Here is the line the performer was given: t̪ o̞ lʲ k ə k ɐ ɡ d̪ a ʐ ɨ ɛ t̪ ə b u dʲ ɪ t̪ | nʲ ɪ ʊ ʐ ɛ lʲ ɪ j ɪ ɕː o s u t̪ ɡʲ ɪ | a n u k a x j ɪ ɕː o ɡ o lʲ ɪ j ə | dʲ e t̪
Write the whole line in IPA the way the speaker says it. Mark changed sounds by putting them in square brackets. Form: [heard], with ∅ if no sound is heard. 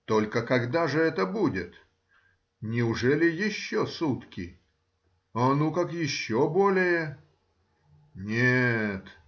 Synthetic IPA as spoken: t̪ o̞ lʲ k ə k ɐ ɡ d̪ a ʐ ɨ ɛ t̪ ə b u dʲ ɪ t̪ | nʲ ɪ ʊ ʐ ɛ lʲ ɪ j ɪ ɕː o s u t̪ [kʲ] ɪ | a n u k a [k] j ɪ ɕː o [b] o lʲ ɪ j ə | [nʲ] e t̪